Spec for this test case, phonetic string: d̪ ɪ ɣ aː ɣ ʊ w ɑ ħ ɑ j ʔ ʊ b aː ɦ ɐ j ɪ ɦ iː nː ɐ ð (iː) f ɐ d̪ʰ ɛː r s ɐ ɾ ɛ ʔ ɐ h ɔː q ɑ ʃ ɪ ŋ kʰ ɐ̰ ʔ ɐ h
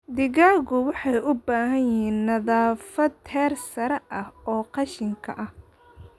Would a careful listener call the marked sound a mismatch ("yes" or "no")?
yes